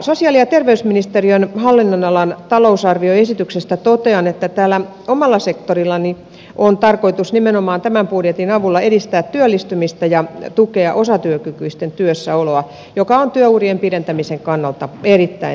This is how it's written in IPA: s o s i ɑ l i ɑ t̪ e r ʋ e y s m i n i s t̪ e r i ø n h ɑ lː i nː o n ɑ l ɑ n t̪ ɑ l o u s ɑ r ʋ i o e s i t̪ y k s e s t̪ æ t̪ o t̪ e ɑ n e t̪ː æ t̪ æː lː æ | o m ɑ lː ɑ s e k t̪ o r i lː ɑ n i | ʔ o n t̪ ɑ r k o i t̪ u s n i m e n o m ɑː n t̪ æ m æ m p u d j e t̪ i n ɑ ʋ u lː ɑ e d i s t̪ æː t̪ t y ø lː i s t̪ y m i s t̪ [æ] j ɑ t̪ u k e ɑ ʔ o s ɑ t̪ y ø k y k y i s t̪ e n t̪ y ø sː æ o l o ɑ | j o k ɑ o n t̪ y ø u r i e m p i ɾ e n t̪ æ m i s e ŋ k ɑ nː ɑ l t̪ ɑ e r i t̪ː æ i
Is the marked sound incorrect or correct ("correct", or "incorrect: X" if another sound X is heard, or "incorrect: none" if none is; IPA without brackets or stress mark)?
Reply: correct